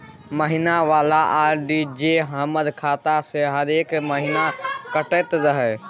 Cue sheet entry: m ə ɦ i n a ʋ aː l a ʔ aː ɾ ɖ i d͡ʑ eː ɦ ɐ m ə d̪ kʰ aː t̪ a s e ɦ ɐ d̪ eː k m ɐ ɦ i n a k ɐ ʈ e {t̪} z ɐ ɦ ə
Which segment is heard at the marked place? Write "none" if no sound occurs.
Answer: t̪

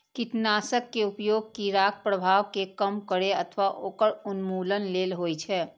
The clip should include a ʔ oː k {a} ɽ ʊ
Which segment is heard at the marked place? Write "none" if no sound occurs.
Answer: ə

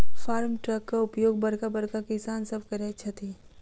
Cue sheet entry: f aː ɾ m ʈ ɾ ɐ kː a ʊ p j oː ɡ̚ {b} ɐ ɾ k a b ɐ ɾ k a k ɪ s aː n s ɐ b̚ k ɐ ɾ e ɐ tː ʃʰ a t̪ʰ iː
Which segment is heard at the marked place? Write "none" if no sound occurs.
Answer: b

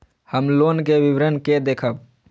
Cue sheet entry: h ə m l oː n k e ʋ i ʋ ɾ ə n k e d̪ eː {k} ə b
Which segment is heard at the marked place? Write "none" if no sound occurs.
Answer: kʰ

